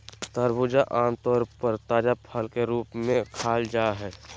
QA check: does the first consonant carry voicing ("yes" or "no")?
no